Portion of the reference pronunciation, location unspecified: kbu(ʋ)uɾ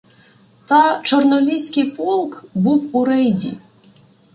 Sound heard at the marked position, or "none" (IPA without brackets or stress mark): w